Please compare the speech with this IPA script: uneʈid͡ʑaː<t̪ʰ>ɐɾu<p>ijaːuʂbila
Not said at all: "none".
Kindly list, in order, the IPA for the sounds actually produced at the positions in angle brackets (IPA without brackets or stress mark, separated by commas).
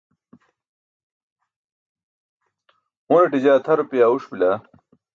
t̪ʰ, p